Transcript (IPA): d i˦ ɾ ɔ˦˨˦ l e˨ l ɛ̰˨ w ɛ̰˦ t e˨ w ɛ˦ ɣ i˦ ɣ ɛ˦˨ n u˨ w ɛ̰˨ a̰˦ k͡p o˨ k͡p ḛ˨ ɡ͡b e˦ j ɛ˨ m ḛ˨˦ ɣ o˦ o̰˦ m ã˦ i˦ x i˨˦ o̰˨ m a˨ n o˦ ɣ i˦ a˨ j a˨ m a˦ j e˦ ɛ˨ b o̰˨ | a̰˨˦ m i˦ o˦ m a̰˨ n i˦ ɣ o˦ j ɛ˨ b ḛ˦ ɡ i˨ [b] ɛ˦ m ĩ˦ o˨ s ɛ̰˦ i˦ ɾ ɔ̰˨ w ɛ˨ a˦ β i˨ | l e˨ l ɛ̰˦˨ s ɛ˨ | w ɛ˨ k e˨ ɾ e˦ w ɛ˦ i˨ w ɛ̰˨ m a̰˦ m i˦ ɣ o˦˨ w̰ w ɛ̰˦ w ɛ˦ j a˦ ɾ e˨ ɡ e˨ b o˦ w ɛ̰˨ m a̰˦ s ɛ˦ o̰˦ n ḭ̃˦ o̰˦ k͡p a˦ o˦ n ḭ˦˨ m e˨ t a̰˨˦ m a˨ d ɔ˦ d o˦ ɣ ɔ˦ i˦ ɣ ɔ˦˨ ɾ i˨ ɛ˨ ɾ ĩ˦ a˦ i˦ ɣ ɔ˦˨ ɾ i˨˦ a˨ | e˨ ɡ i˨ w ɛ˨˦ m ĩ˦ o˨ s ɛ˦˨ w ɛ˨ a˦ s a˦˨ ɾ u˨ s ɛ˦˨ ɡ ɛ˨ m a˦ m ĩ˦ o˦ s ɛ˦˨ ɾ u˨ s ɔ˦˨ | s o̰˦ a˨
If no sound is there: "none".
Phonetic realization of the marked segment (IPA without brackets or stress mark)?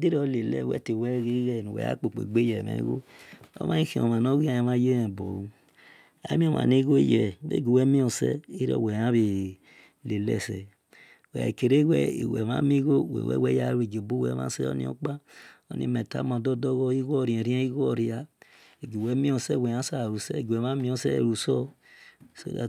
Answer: w